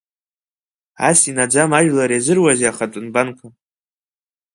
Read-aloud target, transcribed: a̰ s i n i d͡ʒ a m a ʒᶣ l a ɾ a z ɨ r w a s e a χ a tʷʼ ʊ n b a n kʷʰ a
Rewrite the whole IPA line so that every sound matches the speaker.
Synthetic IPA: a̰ s i n a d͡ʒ a m a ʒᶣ l a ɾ a z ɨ r w a z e a χ a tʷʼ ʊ n b a n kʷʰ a